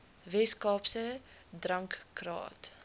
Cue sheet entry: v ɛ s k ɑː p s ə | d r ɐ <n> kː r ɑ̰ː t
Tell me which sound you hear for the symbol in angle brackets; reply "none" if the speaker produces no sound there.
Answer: ŋ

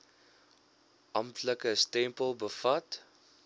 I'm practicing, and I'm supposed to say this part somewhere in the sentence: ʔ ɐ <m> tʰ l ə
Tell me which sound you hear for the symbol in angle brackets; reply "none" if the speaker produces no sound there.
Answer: m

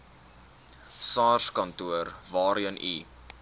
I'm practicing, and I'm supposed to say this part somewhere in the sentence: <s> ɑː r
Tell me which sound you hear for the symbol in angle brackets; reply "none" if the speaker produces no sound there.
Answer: s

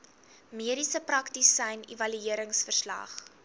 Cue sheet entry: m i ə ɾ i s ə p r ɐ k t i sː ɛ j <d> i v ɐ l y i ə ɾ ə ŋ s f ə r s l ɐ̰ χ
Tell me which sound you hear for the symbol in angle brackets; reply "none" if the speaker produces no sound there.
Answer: n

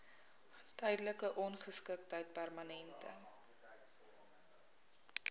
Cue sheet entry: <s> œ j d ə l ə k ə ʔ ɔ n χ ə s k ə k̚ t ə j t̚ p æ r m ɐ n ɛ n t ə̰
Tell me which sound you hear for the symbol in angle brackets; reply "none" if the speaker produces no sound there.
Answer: t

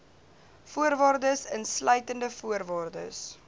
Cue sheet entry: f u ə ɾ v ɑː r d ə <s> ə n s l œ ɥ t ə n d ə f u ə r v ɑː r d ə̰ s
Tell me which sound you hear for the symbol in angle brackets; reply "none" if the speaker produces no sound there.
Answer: s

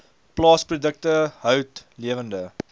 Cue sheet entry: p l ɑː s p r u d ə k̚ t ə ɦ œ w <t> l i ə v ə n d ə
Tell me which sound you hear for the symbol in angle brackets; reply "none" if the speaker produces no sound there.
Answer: t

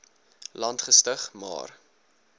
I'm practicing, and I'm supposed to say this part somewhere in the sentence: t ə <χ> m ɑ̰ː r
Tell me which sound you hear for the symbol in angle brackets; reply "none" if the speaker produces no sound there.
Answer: χ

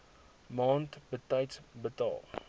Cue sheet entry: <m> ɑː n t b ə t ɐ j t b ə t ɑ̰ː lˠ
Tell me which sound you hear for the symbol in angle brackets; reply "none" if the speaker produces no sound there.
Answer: m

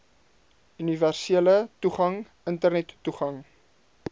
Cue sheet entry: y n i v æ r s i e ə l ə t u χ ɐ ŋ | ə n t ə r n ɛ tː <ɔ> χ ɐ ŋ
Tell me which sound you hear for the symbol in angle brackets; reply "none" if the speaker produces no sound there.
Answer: u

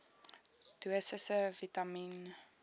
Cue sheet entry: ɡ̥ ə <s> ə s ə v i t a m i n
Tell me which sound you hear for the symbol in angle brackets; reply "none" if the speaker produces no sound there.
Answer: s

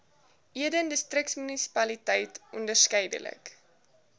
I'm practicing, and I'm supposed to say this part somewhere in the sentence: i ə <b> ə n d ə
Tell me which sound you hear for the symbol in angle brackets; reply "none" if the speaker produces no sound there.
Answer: d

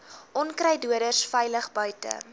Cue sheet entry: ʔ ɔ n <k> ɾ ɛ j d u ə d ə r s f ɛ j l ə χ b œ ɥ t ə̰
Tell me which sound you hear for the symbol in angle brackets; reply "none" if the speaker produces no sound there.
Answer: k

